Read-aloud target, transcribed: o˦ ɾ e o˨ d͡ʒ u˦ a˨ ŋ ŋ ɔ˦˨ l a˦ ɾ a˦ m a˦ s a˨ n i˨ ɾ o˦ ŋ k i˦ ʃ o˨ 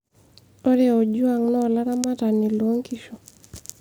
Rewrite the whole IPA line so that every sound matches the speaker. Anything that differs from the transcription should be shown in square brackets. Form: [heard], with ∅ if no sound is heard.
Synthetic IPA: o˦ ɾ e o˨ d͡ʒ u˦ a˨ ŋ [n] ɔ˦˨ l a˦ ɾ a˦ m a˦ [t] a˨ n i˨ [l] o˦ ŋ k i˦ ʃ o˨